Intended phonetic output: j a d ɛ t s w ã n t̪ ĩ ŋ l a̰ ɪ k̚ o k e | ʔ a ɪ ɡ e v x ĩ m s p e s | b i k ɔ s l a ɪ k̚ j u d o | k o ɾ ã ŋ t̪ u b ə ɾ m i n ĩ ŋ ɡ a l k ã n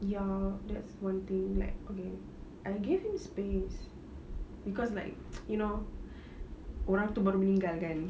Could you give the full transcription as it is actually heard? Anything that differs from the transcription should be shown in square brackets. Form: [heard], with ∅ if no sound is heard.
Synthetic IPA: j a d ɛ t s w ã n t̪ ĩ ŋ l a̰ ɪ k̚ o k e | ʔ a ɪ ɡ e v [h] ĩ m s p e s | b i k ɔ s l a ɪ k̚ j u [n] o | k o ɾ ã ŋ t̪ u b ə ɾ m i n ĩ ŋ ɡ a l k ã n